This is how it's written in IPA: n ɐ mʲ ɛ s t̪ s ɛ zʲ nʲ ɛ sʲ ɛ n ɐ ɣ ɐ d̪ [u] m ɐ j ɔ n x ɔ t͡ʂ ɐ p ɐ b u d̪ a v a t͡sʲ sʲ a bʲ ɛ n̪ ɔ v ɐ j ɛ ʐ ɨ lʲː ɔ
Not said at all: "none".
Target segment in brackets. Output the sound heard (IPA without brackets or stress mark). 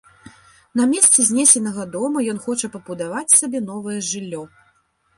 ɔ